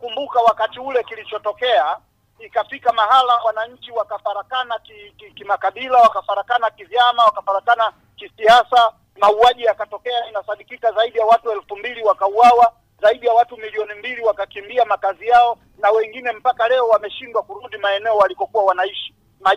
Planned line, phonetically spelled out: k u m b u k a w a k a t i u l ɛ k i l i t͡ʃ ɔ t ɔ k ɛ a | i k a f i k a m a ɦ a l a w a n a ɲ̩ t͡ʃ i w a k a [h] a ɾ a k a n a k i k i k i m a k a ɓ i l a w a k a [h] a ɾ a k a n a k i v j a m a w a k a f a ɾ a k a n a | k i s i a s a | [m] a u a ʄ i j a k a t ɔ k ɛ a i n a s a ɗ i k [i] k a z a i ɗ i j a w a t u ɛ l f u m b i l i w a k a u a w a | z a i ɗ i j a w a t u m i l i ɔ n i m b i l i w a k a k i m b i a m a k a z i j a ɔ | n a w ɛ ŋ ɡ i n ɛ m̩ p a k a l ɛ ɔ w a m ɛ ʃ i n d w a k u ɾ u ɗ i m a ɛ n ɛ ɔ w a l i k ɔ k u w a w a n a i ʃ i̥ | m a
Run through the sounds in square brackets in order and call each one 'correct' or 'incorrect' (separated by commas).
incorrect, incorrect, correct, correct